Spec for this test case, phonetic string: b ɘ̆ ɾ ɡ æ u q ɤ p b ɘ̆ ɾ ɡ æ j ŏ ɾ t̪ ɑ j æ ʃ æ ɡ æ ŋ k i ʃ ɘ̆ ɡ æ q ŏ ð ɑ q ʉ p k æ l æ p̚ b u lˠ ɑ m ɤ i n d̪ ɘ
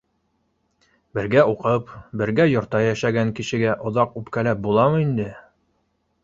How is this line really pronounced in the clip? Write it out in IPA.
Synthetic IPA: b ɘ̆ ɾ ɡ æ u q ɤ p b ɘ̆ ɾ ɡ æ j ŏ ɾ t̪ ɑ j æ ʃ æ ɡ æ ŋ k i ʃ ɘ̆ ɡ æ ʔ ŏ ð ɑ q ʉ p k æ l æ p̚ b u lˠ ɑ m ɤ i n d̪ ɘ